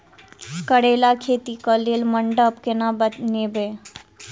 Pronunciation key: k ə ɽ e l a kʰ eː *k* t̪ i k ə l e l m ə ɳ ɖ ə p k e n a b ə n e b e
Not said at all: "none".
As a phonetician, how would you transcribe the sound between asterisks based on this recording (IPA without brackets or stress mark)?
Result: none